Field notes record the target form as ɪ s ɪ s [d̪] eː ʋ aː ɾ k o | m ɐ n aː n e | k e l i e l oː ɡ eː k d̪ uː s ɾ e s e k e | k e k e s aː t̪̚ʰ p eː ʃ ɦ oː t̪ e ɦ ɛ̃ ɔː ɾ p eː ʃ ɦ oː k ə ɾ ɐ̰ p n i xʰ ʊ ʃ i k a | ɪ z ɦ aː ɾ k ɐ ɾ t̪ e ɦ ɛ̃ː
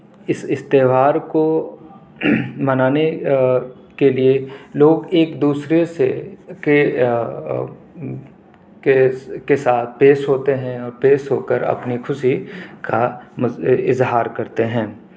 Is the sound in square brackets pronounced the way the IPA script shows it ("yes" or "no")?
no